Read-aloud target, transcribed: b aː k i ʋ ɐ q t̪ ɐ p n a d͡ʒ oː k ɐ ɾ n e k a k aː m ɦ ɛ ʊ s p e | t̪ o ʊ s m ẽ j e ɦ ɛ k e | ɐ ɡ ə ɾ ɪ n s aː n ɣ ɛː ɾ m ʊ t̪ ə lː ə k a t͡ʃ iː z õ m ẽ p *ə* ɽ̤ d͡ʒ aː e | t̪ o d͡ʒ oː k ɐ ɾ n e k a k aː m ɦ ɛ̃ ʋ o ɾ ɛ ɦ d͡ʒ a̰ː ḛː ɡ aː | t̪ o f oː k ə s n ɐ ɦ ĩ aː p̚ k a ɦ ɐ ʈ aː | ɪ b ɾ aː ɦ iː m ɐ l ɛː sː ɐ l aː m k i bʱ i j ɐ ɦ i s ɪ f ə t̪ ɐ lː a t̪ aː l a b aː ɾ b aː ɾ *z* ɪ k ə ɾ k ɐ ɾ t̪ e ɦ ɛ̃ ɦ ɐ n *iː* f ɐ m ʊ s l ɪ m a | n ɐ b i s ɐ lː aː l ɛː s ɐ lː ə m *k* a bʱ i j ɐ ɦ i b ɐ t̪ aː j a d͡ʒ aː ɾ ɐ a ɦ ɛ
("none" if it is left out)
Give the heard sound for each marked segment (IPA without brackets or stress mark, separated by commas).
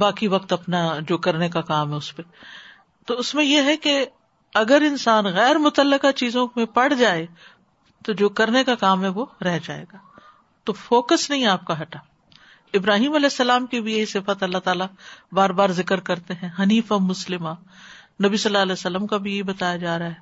ɐ, z, iː, k